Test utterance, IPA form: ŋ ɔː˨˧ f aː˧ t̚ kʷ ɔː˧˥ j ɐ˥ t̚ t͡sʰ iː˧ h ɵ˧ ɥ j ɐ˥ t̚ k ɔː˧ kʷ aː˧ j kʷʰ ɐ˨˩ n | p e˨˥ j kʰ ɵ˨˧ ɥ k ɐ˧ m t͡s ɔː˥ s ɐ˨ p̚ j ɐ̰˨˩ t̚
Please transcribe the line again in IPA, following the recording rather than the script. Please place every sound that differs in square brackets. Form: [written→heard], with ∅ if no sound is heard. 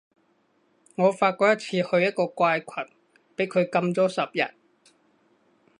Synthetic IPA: ŋ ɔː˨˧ f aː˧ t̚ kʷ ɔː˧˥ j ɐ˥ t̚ t͡sʰ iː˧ h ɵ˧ ɥ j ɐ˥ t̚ k ɔː˧ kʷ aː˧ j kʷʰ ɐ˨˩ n | p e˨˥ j kʰ ɵ˨˧ ɥ k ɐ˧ m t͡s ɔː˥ s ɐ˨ p̚ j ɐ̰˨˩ t̚

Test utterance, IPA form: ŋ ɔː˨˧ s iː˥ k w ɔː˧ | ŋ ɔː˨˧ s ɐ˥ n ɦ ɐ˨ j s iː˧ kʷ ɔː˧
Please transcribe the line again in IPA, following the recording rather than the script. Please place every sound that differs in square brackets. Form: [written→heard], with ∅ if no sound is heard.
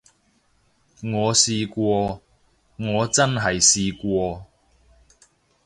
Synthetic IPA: ŋ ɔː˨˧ s [iː˥→iː˧] k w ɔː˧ | ŋ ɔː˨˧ [s→t͡s] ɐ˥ n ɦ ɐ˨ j s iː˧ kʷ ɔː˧

